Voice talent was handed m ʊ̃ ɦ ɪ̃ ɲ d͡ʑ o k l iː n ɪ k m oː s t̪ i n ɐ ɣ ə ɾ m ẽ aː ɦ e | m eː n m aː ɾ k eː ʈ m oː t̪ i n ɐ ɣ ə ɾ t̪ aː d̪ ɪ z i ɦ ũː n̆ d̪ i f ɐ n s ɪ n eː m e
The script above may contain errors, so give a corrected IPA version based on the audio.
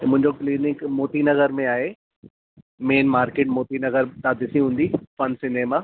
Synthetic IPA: m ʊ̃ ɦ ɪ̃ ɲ d͡ʑ o k l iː n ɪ k m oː t̪ i n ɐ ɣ ə ɾ m ẽ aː ɦ e | m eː n m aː ɾ k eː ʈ m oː t̪ i n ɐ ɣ ə ɾ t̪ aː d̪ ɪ s i ɦ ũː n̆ d̪ i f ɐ n s ɪ n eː m a